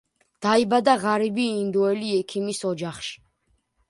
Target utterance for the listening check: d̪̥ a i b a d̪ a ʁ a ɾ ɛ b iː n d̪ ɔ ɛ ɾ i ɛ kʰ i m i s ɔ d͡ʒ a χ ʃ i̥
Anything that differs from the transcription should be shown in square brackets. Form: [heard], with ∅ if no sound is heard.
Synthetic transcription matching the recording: d̪̥ a i b a d̪ a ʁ a ɾ [i] b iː n d̪ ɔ ɛ [l] i ɛ kʰ i m i s ɔ d͡ʒ a χ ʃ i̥